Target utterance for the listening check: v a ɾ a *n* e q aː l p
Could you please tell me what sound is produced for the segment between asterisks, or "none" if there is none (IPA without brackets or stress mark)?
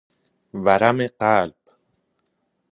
m